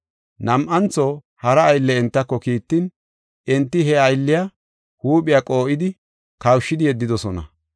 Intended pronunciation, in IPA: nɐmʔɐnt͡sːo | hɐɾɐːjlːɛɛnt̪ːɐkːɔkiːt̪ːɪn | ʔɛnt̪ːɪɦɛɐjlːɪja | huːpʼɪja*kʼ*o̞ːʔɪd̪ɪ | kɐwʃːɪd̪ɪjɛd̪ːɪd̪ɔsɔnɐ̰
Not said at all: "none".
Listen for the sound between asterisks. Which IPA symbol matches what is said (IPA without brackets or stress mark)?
kʼ